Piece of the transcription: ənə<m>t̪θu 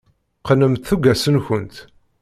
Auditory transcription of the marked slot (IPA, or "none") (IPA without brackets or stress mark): m